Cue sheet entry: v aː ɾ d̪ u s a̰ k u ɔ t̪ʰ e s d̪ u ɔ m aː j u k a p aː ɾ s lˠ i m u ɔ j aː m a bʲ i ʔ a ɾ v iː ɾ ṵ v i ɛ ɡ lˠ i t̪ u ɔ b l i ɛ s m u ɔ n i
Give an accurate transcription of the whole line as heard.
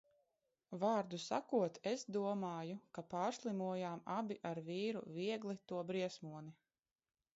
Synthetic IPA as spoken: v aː ɾ d̪ u s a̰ k u ɔ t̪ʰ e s d̪ u ɔ m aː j u k a p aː ɾ s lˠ i m u ɔ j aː m a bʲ i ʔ a ɾ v iː ɾ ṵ v i ɛ ɡ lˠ i t̪ u ɔ b ɾ i ɛ s m u ɔ n i